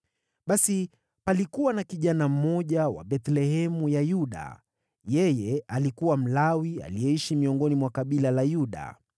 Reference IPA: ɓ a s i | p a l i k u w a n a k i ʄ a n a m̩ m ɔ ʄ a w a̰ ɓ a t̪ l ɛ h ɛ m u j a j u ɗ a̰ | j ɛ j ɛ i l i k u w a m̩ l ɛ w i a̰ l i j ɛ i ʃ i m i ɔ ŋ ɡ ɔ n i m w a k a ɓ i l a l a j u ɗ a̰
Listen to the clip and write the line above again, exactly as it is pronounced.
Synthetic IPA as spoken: ɓ a s i | p a l i k u w a n a k i ʄ a n a m̩ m ɔ ʄ a w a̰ ɓ ɛ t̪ l ɛ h ɛ m u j a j u ɗ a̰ | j ɛ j ɛ a l i k u w a m̩ l a w i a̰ l i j ɛ i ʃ i m i ɔ ŋ ɡ ɔ n i m w a k a ɓ i l a l a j u ɗ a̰